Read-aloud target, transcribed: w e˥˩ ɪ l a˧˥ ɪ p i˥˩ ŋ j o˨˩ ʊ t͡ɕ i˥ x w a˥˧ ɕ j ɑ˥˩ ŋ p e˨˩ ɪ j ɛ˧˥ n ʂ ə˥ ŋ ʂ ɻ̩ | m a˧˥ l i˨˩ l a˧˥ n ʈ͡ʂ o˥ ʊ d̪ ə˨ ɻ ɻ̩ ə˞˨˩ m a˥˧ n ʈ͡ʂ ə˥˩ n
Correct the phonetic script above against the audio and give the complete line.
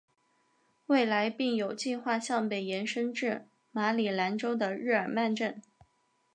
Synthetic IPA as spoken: w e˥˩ ɪ l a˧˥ ɪ p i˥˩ ŋ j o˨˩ ʊ t͡ɕ i˥˧ x w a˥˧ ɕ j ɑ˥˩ ŋ p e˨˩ ɪ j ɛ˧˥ n ʂ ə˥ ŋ ʈ͡ʂ ɻ̩ | m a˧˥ l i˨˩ l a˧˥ n ʈ͡ʂ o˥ ʊ d̪ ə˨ ɻ ɻ̩ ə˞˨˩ m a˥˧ n ʈ͡ʂ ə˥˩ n